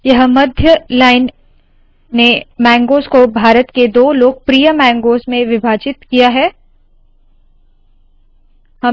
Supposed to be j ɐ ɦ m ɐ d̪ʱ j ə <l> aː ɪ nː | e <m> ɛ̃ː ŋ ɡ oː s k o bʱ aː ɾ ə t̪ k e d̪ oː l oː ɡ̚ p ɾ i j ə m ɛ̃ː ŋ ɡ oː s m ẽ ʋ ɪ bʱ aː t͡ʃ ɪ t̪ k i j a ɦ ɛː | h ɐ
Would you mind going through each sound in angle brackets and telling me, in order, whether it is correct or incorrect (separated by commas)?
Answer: correct, correct